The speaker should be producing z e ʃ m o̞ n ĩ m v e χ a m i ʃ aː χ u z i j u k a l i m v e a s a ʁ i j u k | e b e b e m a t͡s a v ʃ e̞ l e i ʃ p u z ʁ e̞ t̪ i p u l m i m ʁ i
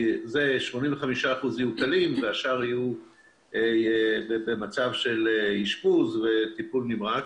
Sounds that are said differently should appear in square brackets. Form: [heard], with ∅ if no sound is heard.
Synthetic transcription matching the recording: z e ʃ m o̞ n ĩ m v e χ a m i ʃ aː χ u z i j u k a l i m v e a [ʃ] a ʁ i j u [∅] | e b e b e m a t͡s a v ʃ e̞ l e i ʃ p u z [v] e̞ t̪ i p u l [n] i m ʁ [a]